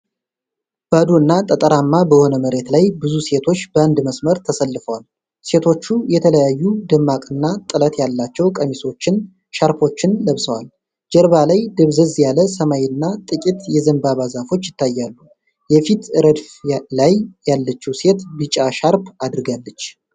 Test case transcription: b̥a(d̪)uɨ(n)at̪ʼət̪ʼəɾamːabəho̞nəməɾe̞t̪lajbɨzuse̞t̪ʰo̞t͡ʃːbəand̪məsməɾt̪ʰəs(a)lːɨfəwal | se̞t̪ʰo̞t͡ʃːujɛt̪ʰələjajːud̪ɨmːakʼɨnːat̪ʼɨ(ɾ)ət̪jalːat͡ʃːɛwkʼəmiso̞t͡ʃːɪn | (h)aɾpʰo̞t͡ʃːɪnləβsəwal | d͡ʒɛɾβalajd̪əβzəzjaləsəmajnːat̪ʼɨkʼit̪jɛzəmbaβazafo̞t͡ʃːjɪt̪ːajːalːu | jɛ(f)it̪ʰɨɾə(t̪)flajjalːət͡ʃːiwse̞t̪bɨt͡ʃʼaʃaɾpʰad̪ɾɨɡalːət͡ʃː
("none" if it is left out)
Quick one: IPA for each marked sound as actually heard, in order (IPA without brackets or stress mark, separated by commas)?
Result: d̪, nː, ə, l, ʃ, f, d̪